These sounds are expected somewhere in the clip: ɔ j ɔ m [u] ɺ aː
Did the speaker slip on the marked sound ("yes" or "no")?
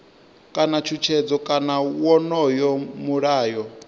no